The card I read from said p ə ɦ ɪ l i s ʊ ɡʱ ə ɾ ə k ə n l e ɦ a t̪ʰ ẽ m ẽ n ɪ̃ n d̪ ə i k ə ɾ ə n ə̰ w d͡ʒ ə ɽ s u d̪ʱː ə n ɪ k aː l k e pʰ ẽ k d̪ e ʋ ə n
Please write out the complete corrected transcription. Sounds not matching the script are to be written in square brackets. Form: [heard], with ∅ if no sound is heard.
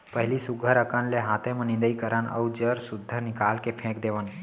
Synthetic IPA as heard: p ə ɦ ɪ l i s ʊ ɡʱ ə ɾ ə k ə n l e ɦ a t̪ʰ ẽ m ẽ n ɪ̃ n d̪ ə i k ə ɾ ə n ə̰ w d͡ʒ ə [ɾ] s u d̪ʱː ə n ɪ k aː l k e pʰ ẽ k d̪ e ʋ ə n